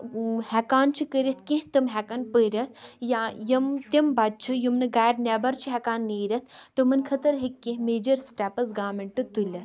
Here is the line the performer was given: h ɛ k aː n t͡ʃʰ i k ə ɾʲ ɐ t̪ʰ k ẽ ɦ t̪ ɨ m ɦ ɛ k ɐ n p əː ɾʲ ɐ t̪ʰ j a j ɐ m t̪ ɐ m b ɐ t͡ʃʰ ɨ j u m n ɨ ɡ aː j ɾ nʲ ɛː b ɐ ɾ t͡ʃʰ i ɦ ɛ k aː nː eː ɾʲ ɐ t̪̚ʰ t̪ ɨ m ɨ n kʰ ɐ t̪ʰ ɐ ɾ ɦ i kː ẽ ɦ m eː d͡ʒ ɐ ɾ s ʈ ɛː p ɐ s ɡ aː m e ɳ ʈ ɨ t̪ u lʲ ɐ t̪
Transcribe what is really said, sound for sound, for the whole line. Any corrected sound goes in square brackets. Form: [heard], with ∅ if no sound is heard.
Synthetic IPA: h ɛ k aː n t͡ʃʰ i k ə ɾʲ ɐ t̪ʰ k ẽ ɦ t̪ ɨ m ɦ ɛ k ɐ n p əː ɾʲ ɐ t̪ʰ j a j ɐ m t̪ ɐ m b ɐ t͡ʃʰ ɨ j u m n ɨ ɡ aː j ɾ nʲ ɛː b ɐ ɾ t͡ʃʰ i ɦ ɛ k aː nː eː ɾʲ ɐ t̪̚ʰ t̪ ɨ m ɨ n kʰ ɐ [t̪] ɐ ɾ ɦ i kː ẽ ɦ m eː d͡ʒ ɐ ɾ s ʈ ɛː p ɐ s ɡ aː m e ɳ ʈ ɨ t̪ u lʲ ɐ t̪

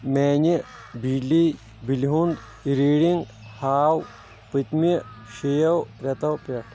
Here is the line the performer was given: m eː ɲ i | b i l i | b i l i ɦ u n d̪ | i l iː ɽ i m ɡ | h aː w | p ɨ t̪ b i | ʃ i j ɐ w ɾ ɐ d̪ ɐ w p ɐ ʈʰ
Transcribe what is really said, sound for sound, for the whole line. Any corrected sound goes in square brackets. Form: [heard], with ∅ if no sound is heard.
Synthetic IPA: m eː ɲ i | b i l i | b i l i ɦ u n d̪ | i [ɾ] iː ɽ i [ŋ] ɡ | h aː w | p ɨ t̪ [m] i | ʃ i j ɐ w ɾ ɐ [t̪] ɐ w p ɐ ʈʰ

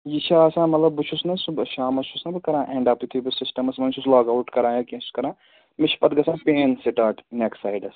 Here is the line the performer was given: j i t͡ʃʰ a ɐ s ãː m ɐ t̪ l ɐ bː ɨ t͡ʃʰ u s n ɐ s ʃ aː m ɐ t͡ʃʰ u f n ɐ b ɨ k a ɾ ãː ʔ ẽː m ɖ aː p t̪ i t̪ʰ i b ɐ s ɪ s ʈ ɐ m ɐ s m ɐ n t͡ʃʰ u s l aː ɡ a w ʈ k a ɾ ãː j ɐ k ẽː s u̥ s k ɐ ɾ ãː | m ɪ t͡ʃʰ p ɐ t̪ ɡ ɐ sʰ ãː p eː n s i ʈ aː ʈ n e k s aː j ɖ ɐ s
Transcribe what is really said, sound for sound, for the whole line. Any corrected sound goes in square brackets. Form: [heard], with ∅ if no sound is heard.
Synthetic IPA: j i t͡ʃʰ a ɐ s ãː m ɐ t̪ l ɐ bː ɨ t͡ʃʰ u s n ɐ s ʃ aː m ɐ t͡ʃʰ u [s] n ɐ b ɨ k [ɐ] ɾ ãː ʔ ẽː [ɳ] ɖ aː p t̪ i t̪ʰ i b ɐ s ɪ s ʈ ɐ m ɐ s m ɐ n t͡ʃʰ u s l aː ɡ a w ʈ k [ɐ] ɾ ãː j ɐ k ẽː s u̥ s k ɐ ɾ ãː | m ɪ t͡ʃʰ p ɐ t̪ ɡ ɐ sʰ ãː p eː n s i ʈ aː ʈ n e k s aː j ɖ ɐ s

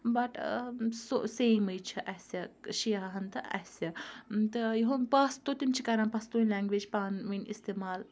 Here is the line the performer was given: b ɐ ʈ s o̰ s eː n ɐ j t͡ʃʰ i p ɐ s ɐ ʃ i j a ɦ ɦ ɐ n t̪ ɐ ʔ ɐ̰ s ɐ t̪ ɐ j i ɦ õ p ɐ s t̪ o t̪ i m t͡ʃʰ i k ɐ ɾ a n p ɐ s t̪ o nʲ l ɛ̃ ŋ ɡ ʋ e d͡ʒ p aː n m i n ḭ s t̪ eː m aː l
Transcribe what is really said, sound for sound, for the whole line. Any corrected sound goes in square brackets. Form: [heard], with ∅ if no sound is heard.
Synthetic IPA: b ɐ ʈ s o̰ s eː [m] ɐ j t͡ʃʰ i [ʔ] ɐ s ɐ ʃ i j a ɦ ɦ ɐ n t̪ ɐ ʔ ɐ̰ s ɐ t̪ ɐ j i ɦ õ p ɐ s t̪ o t̪ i m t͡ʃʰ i k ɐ ɾ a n p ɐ s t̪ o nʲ l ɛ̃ ŋ ɡ ʋ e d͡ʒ p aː n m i n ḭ s t̪ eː m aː l

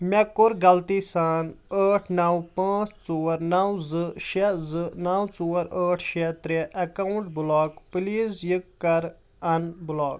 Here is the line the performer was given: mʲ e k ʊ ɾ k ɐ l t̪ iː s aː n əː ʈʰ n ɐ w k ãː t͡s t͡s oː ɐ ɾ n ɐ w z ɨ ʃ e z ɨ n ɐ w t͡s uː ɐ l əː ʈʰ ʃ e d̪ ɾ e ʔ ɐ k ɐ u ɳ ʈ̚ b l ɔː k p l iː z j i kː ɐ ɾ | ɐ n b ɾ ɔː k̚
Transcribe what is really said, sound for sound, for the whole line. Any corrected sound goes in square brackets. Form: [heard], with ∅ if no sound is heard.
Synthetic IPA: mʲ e k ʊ ɾ [ɡ] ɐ l t̪ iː s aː n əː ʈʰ n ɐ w [p] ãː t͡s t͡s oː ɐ ɾ n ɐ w z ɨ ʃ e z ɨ n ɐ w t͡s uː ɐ [ɾ] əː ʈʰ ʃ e [t̪] ɾ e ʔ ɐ k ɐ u ɳ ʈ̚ b l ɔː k p l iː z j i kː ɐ ɾ | ɐ n b [l] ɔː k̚

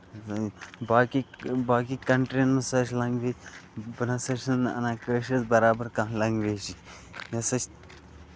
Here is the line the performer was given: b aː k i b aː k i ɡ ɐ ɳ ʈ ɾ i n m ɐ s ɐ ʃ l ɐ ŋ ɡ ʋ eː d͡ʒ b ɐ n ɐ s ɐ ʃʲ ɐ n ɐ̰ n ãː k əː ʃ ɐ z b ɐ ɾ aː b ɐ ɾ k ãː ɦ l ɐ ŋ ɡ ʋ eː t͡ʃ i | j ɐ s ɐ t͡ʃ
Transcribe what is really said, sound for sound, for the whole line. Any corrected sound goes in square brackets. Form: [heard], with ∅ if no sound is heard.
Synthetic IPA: b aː k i b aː k i [k] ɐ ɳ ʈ ɾ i n m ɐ s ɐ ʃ l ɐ ŋ ɡ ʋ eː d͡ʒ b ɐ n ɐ s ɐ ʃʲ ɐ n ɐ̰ n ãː k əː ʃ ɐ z b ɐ ɾ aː b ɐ ɾ k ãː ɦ l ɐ ŋ ɡ ʋ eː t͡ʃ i | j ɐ s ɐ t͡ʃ

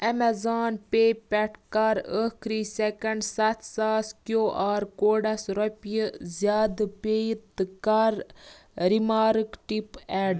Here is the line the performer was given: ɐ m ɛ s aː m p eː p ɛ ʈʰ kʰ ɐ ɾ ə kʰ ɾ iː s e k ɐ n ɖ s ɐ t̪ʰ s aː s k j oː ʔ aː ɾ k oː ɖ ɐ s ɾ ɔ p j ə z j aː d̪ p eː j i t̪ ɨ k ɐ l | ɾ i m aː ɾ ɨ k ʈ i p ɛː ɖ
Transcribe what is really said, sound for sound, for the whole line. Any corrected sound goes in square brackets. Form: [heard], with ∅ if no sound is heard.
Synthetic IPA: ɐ m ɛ [z] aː [n] p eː p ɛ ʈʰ [k] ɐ ɾ ə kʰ ɾ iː s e k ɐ [ɳ] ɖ s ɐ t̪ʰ s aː s k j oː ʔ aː ɾ k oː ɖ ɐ s ɾ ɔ p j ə z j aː d̪ p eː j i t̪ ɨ k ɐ [ɾ] | ɾ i m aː ɾ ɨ k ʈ i p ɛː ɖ

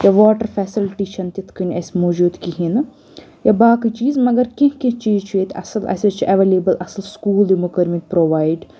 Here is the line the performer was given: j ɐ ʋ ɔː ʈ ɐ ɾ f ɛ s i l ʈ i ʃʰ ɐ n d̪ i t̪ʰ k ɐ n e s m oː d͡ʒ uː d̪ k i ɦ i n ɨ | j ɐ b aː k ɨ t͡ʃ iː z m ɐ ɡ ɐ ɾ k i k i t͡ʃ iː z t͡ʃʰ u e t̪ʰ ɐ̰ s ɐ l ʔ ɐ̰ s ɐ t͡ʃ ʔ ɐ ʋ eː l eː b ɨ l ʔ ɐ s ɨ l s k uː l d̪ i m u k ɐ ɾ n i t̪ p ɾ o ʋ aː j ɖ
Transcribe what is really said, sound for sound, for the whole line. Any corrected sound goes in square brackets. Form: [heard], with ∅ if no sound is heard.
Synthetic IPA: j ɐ ʋ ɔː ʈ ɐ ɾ f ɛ s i l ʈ i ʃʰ ɐ n [t̪] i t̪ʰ k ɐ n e s m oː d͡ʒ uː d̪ k i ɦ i n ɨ | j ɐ b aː k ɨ t͡ʃ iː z m ɐ ɡ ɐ ɾ k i k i t͡ʃ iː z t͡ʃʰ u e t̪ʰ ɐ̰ s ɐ l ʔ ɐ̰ s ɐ t͡ʃ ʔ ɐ ʋ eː l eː b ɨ l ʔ ɐ s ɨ l s k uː l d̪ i m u k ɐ ɾ [m] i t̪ p ɾ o ʋ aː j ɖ

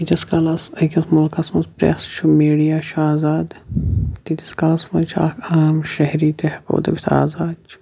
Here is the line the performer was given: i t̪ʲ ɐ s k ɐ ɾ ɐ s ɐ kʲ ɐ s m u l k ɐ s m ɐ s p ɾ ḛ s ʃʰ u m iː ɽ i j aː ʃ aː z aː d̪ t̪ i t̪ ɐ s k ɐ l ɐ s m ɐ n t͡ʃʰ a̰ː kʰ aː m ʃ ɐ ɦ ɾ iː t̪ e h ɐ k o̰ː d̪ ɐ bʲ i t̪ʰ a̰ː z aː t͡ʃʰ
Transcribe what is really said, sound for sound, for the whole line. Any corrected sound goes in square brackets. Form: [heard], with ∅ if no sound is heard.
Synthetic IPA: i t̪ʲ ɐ s k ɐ [l] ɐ s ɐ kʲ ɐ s m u l k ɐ s m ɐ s p ɾ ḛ s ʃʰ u m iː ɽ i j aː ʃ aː z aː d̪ t̪ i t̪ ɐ s k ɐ l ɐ s m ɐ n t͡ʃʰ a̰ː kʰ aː m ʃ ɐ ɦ ɾ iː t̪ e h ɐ k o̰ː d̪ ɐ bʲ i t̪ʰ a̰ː z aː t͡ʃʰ

